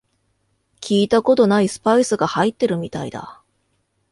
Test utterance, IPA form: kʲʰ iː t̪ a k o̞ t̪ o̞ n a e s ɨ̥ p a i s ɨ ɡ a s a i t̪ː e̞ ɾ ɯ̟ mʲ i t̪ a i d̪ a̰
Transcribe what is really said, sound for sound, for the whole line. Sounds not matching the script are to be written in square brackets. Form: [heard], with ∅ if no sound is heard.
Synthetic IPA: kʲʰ iː t̪ a k o̞ t̪ o̞ n a [i] s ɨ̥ p a i s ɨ ɡ a [h] a i t̪ː e̞ ɾ ɯ̟ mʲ i t̪ a i d̪ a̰

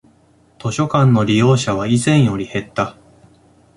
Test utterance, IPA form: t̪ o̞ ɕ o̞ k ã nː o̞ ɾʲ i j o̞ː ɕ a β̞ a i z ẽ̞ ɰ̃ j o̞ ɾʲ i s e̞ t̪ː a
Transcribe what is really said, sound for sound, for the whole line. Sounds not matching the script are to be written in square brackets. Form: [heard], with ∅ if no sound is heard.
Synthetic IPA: t̪ o̞ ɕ o̞ k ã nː o̞ ɾʲ i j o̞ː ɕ a β̞ a i z ẽ̞ ɰ̃ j o̞ ɾʲ i [h] e̞ t̪ː a

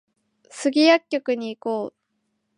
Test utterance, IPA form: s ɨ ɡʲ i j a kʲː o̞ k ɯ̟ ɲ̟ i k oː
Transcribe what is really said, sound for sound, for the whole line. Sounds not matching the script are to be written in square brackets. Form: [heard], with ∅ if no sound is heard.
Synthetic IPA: s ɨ ɡʲ i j a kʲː o̞ k ɯ̟ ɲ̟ [iː] k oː

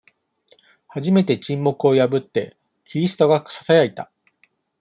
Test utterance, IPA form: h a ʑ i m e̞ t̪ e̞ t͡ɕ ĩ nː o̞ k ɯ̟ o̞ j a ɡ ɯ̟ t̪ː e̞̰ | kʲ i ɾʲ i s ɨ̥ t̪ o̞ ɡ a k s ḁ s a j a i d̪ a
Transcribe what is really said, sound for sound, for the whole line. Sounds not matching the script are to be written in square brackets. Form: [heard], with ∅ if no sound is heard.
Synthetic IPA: h a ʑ i m e̞ t̪ e̞ t͡ɕ ĩ [mː] o̞ k ɯ̟ o̞ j a [b] ɯ̟ t̪ː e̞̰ | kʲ i ɾʲ i s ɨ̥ t̪ o̞ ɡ a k s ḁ s a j a i [t̪] a

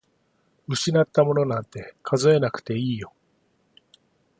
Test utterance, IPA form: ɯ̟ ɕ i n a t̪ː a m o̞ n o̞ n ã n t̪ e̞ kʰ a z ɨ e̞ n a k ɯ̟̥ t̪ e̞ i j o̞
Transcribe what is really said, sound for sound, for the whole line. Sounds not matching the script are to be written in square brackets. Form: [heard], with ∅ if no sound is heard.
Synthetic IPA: ɯ̟ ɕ i n a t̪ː a m o̞ n o̞ n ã n t̪ e̞ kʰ a z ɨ e̞ n a k ɯ̟̥ t̪ e̞ [iː] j o̞

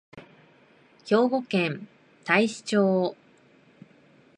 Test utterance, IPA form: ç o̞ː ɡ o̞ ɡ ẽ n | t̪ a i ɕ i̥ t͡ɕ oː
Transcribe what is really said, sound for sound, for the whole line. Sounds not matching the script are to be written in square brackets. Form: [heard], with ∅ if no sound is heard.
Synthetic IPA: ç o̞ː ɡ o̞ [k] ẽ n | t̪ a i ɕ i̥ t͡ɕ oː

